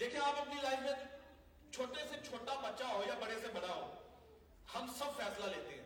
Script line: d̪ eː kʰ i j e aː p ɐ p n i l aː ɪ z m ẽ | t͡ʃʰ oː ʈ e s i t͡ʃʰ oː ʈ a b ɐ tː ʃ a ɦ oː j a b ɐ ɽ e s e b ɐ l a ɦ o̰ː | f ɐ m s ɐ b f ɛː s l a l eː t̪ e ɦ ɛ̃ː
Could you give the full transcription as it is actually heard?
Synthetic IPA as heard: d̪ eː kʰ i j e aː p ɐ p n i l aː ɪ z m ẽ | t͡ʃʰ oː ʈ e s e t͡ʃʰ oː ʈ a b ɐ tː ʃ a ɦ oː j a b ɐ ɽ e s e b ɐ ɽ a ɦ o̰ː | h ɐ m s ɐ b f ɛː s l a l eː t̪ e ɦ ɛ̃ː